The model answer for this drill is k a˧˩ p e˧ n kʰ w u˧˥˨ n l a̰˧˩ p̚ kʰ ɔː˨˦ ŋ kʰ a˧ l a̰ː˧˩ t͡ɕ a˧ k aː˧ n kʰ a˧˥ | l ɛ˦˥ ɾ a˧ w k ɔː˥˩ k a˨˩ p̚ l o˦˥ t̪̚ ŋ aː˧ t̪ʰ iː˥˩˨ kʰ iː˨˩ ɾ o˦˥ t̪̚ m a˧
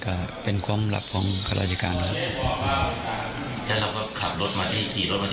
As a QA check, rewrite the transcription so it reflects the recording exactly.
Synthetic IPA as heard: k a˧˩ p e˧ n kʰ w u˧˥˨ m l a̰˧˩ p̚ kʰ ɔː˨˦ ŋ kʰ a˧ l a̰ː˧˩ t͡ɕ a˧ k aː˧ n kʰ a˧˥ | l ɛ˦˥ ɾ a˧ w k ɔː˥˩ kʰ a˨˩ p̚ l o˦˥ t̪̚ m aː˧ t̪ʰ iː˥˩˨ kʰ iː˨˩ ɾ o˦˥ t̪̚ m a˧